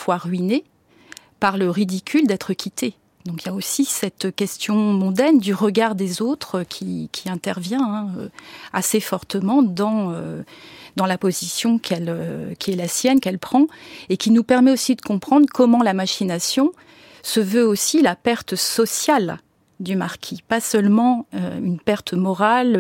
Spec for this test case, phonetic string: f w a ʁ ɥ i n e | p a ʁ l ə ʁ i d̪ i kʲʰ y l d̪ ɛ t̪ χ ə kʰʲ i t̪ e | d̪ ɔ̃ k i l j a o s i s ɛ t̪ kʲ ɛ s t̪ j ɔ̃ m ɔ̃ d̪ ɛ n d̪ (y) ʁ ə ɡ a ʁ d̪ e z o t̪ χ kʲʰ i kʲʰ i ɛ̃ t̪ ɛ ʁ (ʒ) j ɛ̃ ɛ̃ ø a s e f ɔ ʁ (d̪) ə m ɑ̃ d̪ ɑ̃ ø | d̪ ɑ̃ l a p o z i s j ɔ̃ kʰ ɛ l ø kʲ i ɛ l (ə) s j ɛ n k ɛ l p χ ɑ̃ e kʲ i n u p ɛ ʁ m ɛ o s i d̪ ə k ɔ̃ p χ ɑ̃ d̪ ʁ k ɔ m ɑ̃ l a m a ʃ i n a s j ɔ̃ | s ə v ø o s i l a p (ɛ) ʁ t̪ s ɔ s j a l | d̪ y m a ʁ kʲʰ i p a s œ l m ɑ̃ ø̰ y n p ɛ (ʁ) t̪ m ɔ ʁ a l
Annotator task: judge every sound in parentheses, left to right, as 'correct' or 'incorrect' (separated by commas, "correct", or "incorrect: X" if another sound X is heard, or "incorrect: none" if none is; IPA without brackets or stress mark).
correct, incorrect: v, incorrect: t̪, incorrect: a, correct, correct